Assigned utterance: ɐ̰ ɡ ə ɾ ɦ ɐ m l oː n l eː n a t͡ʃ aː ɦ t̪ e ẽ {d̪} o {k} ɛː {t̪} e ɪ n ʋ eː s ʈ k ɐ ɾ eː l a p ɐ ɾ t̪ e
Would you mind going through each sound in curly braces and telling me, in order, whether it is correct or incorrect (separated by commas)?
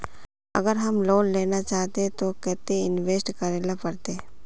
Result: incorrect, correct, correct